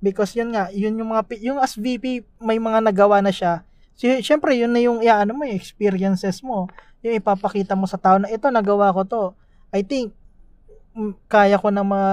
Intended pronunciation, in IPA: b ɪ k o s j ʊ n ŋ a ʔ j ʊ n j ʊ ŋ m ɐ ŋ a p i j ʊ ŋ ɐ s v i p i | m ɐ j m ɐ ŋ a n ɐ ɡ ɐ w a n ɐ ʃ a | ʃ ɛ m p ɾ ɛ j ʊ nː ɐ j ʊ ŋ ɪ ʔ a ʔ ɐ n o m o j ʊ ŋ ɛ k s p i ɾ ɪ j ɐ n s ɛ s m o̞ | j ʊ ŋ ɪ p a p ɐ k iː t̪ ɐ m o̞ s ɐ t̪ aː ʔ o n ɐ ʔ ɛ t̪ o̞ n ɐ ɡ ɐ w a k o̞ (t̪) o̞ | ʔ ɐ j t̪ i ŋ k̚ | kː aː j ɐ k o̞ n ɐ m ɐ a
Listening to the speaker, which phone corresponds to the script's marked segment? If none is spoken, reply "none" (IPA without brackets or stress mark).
t̪